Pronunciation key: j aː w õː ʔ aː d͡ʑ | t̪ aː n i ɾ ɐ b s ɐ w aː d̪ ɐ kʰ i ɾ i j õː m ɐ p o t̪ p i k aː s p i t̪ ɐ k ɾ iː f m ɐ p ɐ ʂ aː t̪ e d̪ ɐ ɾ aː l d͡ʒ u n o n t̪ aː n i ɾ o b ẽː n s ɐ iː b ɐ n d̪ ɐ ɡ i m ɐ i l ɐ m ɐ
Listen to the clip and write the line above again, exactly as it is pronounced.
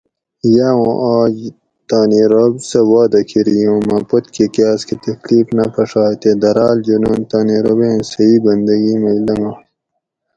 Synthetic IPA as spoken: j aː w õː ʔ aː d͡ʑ | t̪ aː n i ɾ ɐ b s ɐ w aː d̪ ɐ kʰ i ɾ i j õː m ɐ p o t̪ k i k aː s k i t̪ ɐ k l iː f n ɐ p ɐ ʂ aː t̪ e d̪ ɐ ɾ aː l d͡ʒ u n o n t̪ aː n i ɾ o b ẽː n s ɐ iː b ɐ n d̪ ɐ ɡ i m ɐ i l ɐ m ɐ